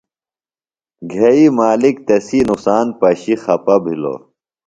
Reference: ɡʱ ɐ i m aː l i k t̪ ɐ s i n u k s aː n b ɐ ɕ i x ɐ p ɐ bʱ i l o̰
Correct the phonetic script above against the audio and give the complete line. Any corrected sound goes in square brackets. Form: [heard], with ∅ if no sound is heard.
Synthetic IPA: ɡʱ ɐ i m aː l i k t̪ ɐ s i n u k s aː n [p] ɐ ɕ i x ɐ p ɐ bʱ i l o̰